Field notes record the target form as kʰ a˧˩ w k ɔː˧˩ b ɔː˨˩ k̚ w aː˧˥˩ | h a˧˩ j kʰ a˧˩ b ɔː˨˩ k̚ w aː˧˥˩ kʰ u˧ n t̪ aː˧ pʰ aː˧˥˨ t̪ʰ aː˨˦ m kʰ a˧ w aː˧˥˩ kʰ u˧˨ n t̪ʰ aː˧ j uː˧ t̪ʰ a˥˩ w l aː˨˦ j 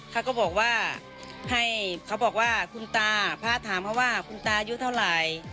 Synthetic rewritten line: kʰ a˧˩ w k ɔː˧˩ b ɔː˨˩ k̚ w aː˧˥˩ | h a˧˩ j kʰ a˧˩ b ɔː˨˩ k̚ w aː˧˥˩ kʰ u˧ n t̪ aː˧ pʰ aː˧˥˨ t̪ʰ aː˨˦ m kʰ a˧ w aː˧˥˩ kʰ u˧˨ n t̪ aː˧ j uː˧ t̪ʰ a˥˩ w l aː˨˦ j

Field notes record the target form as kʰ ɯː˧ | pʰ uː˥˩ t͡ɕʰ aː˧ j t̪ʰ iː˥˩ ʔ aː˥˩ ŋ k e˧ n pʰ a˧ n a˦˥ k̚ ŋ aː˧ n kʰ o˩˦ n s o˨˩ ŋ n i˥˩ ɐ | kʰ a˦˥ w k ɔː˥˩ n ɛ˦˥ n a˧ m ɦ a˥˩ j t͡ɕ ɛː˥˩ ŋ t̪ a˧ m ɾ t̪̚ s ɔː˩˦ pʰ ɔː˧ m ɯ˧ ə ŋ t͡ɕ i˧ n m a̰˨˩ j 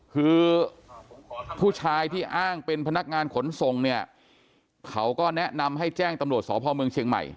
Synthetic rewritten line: kʰ ɯː˧ | pʰ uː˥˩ t͡ɕʰ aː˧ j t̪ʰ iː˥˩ ʔ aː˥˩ ŋ p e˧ n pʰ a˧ n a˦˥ k̚ ŋ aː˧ n kʰ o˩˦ n s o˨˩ ŋ n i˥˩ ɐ | kʰ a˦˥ w k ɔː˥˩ n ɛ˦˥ n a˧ m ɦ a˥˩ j t͡ɕ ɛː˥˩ ŋ t̪ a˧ m ɾ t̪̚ s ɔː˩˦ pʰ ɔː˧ m ɯ˧ ə ŋ t͡ɕʰ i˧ ŋ m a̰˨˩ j

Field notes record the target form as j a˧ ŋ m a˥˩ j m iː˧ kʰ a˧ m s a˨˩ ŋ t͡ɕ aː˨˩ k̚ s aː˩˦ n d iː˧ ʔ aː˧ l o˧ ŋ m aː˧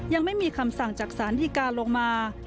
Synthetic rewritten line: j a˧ ŋ m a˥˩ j m iː˧ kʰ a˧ m s a˨˩ ŋ t͡ɕ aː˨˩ k̚ s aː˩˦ n d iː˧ k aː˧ l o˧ ŋ m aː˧

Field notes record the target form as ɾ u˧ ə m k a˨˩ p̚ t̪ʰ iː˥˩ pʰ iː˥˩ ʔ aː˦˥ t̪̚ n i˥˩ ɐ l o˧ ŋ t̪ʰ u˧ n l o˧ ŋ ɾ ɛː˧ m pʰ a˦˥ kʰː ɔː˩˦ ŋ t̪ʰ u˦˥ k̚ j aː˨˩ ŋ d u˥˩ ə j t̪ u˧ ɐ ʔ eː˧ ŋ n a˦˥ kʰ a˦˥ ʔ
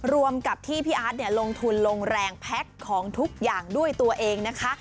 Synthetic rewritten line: ɾ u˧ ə m k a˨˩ p̚ t̪ʰ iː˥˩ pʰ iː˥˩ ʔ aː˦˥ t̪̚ n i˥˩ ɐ l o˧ ŋ t̪ʰ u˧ n l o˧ ŋ ɾ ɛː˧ ŋ pʰ ɛ˦˥ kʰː ɔː˩˦ ŋ t̪ʰ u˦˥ k̚ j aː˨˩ ŋ d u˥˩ ə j t̪ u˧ ɐ ʔ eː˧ ŋ n a˦˥ kʰ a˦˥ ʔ

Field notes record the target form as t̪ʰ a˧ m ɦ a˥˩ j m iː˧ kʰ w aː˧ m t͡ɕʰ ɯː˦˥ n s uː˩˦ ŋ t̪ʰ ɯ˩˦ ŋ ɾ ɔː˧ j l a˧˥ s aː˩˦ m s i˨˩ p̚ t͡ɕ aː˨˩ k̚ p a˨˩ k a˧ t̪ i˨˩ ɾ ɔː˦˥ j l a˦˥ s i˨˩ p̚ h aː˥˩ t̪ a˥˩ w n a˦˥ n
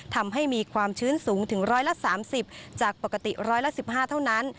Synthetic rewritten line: t̪ʰ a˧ m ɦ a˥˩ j m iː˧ kʰ w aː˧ m t͡ɕʰ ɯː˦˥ n s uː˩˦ ŋ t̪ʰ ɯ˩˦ ŋ ɾ ɔː˦˥ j l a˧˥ s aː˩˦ m s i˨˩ p̚ t͡ɕ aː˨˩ k̚ p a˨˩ k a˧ t̪ i˨˩ ɾ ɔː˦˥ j l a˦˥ s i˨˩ p̚ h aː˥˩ t̪ʰ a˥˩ w n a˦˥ n

